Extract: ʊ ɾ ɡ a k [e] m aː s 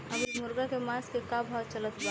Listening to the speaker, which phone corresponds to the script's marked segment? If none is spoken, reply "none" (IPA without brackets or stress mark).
e